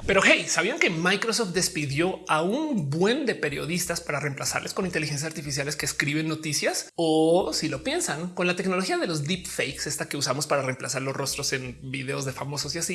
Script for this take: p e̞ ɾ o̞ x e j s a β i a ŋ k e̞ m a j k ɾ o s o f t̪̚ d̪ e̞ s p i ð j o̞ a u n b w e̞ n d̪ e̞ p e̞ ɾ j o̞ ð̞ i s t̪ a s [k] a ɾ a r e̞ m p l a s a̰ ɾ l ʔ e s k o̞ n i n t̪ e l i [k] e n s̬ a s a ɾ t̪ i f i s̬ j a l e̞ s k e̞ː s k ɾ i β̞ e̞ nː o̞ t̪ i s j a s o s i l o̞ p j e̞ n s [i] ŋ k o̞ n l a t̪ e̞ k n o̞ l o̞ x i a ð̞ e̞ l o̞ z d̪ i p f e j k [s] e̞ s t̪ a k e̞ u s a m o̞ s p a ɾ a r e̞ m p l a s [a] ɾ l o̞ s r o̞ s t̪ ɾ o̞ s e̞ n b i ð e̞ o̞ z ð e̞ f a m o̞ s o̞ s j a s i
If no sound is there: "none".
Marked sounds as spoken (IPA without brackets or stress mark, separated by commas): p, x, a, s, a